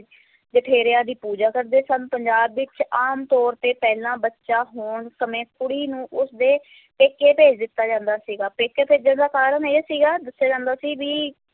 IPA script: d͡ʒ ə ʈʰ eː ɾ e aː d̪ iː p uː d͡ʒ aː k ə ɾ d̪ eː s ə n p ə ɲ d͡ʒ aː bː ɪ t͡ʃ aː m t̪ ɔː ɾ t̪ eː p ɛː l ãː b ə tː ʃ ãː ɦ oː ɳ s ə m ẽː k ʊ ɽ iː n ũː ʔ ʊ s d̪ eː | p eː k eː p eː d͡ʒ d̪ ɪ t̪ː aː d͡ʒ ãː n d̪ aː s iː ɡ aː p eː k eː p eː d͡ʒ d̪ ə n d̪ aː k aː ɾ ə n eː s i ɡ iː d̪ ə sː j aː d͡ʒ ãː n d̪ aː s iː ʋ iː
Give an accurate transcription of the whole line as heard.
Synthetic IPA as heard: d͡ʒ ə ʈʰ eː ɾ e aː d̪ iː p uː d͡ʒ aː k ə ɾ d̪ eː s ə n p ə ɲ d͡ʒ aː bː ɪ t͡ʃ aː m t̪ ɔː ɾ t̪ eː p ɛː l ãː b ə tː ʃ aː ɦ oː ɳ s ə m ẽː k ʊ ɽ iː n ũː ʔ ʊ s d̪ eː | p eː k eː p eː d͡ʒ d̪ ɪ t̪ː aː d͡ʒ ãː n d̪ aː s iː ɡ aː p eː k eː p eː d͡ʒ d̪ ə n d̪ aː k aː ɾ ə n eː s iː ɡ aː d̪ ə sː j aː d͡ʒ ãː n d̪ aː s iː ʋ iː

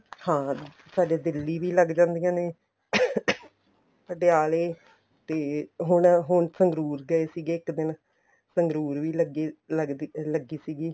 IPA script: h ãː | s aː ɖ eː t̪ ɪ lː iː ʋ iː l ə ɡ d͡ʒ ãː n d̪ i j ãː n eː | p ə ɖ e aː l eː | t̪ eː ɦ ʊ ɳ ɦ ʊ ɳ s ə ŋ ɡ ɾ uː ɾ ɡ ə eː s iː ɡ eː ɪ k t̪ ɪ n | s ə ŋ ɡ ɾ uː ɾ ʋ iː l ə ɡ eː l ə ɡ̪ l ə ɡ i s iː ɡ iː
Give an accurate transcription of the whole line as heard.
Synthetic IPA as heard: h ãː | s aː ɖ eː d̪ ɪ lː iː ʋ iː l ə ɡ d͡ʒ ãː n d̪ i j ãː n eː | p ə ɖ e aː l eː | t̪ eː ɦ ʊ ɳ ɦ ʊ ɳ s ə ŋ ɡ ɾ uː ɾ ɡ ə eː s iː ɡ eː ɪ k d̪ ɪ n | s ə ŋ ɡ ɾ uː ɾ ʋ iː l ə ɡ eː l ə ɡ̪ l ə ɡ iː s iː ɡ iː

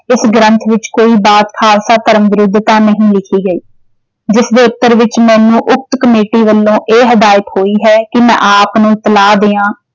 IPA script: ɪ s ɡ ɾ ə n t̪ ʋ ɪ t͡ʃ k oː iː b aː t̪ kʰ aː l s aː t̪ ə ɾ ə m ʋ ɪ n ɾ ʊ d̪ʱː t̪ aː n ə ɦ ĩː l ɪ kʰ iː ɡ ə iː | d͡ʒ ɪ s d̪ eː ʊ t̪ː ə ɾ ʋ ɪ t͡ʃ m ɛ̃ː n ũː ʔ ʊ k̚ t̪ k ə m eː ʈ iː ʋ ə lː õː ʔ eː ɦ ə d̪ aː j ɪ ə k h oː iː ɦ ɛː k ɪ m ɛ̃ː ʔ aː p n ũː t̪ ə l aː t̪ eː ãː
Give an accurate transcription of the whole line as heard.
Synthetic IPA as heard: ɪ s ɡ ɾ ə n t̪ʰ ʋ ɪ t͡ʃ k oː iː b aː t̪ kʰ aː l s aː t̪ ə ɾ ə m ʋ ɪ ɾ ʊ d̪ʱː t̪ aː n ə ɦ ĩː l ɪ kʰ iː ɡ ə iː | d͡ʒ ɪ s d̪ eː ʊ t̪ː ə ɾ ʋ ɪ t͡ʃ m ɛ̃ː n ũː ʔ ʊ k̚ t̪ k ə m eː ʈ iː ʋ ə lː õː ʔ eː ɦ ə d̪ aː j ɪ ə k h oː iː ɦ ɛː k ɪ m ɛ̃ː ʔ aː p n ũː t̪ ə l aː d̪ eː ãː

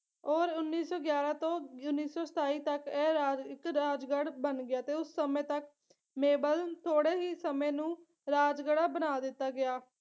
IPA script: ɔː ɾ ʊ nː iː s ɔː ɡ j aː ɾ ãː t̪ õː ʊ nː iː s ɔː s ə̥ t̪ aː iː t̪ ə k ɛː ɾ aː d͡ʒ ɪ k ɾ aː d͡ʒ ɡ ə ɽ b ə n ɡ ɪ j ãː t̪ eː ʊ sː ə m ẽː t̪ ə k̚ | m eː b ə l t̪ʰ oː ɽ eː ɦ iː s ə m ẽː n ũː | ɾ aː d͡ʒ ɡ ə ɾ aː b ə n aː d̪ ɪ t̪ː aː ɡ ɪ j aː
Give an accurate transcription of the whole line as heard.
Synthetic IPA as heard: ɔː ɾ ʊ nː iː s ɔː ɡ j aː ɾ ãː t̪ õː ʊ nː iː s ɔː s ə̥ t̪ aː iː t̪ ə k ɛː ɾ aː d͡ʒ ɪ k ɾ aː d͡ʒ ɡ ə ɽ b ə n ɡ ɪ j aː t̪ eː ʊ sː ə m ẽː t̪ ə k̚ | m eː b ə l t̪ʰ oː ɽ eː ɦ iː s ə m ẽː n ũː | ɾ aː d͡ʒ ɡ ə ɽ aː b ə n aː d̪ ɪ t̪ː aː ɡ ɪ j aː

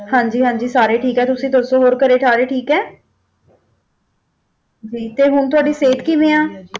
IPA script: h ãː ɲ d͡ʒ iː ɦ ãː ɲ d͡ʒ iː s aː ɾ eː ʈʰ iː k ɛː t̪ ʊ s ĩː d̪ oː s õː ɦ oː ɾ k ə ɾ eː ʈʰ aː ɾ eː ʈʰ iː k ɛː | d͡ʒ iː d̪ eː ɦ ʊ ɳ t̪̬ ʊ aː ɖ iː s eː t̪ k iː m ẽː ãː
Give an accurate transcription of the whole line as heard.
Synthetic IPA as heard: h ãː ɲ d͡ʒ iː ɦ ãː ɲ d͡ʒ iː s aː ɾ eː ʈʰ iː k ɛː t̪ ʊ s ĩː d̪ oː s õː ɦ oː ɾ k ə ɾ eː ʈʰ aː ɾ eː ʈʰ iː k ɛː | d͡ʒ iː t̪ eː ɦ ʊ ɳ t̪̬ ʊ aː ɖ iː s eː t̪ k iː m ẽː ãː

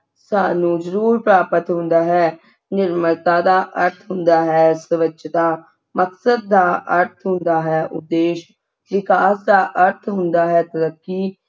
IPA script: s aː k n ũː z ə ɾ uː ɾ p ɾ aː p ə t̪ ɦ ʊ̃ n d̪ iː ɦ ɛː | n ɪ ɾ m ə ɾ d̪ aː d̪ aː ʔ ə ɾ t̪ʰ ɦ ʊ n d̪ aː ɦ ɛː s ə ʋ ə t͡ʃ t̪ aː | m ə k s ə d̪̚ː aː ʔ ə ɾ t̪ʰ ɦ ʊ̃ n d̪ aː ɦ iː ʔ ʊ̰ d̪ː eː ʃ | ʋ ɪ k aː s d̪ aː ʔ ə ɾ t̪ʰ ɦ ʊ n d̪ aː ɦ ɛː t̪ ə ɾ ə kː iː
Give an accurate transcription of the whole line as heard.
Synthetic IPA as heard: s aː n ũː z ə ɾ uː ɾ p ɾ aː p ə t̪ ɦ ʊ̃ n d̪ aː ɦ ɛː | n ɪ ɾ m ə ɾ t̪ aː d̪ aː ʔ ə ɾ t̪ʰ ɦ ʊ n d̪ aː ɦ ɛː s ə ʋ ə t͡ʃ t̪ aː | m ə k s ə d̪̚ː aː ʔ ə ɾ t̪ʰ ɦ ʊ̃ n d̪ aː ɦ ɛː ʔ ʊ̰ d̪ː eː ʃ | ʋ ɪ k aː s d̪ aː ʔ ə ɾ t̪ʰ ɦ ʊ n d̪ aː ɦ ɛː t̪ ə ɾ ə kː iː

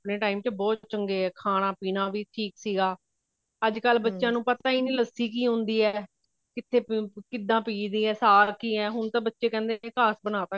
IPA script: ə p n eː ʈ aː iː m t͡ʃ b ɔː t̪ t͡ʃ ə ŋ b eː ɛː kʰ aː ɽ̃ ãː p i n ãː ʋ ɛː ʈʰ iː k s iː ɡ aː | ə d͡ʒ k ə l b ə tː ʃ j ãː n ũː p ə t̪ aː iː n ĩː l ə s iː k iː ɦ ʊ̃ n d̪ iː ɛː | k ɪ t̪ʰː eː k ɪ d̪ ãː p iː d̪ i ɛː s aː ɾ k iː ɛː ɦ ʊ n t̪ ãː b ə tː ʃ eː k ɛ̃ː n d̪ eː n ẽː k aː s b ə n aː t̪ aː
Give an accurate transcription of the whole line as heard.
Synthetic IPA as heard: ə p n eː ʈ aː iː m t͡ʃ b ɔː t̪ t͡ʃ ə ŋ ɡ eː ɛː kʰ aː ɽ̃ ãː p iː n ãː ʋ iː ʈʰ iː k s iː ɡ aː | ə d͡ʒ k ə l b ə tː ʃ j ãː n ũː p ə t̪ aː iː n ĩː l ə s iː k iː ɦ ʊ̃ n d̪ iː ɛː | k ɪ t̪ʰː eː k ɪ d̪ ãː p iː d̪ iː ɛː s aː ɾ k iː ɛː ɦ ʊ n t̪ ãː b ə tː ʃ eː k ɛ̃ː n d̪ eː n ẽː k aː s b ə n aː t̪ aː

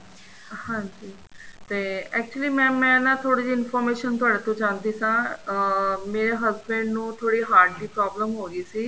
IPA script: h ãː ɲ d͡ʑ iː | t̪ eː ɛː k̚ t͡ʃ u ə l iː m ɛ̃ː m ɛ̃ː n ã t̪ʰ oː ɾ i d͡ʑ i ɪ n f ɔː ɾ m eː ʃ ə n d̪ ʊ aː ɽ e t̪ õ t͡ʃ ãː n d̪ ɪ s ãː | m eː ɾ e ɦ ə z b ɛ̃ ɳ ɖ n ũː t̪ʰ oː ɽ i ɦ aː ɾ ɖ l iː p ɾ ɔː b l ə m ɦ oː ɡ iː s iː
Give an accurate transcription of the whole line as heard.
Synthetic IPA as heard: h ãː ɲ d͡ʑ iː | t̪ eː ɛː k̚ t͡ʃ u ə l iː m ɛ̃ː m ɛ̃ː n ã t̪ʰ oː ɽ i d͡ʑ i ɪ n f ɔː ɾ m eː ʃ ə n t̪ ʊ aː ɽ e t̪ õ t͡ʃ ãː n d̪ i s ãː | m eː ɾ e ɦ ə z b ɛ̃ ɳ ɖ n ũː t̪ʰ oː ɽ i ɦ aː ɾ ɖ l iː p ɾ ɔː b l ə m ɦ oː ɡ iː s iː

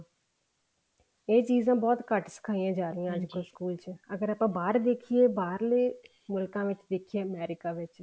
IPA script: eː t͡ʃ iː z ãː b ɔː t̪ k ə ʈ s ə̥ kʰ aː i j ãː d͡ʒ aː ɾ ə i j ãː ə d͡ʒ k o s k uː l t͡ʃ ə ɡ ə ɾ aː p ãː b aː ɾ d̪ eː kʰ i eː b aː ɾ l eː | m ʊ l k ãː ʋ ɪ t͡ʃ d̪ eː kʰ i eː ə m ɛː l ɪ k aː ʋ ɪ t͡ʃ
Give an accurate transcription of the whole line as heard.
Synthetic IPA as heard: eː t͡ʃ iː z ãː b ɔː t̪ k ə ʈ s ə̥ kʰ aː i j ãː d͡ʒ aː ɾ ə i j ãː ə d͡ʒ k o s k uː l t͡ʃ ə ɡ ə ɾ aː p ãː b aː ɾ d̪ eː kʰ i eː b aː ɾ l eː | m ʊ l k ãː ʋ ɪ t͡ʃ d̪ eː kʰ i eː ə m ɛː ɾ ɪ k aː ʋ ɪ t͡ʃ

